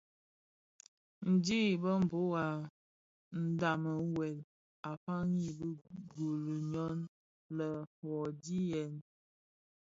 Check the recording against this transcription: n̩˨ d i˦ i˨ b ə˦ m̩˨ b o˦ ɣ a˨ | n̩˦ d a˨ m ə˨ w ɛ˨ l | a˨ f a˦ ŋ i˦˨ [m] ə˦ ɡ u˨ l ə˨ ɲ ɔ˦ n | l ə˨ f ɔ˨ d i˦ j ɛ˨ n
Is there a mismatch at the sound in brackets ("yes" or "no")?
yes